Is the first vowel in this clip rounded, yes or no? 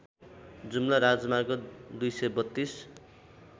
yes